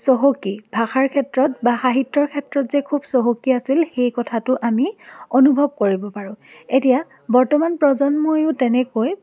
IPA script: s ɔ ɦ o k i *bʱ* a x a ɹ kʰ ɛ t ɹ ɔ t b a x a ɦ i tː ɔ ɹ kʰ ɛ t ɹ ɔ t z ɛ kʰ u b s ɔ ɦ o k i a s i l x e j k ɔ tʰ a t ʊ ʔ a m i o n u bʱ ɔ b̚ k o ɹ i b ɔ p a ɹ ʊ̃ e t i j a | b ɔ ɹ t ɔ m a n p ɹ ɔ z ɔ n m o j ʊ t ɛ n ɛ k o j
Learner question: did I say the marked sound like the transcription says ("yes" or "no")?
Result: yes